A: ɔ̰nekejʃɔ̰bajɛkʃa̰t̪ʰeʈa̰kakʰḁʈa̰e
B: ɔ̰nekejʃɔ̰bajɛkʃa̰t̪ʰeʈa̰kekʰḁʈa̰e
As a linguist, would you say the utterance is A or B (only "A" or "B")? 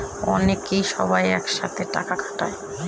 A